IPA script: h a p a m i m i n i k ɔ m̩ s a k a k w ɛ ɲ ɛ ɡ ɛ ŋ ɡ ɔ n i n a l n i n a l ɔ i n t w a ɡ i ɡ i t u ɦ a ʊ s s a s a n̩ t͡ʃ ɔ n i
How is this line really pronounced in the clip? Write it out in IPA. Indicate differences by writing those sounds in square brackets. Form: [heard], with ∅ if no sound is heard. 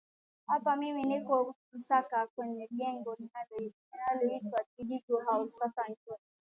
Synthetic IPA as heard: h a p a m i m i n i k ɔ m̩ s a k a k w ɛ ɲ ɛ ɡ ɛ ŋ ɡ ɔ n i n a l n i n a l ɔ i [∅] t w a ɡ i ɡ i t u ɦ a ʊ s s a s a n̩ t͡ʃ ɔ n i